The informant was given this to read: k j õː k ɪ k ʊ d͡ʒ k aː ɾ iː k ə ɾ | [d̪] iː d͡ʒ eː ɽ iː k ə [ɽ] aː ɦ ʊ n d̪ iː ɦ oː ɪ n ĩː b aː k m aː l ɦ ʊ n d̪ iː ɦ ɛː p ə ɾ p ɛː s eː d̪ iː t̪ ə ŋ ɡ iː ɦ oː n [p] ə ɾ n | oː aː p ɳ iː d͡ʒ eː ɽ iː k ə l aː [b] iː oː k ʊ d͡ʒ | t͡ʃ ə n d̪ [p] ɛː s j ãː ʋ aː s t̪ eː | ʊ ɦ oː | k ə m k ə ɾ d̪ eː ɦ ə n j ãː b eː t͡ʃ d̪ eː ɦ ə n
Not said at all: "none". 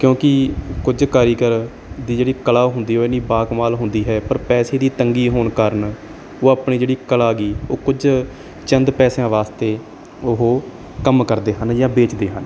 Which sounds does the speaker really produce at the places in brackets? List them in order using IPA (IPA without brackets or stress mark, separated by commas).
d̪, l, k, ɡ, p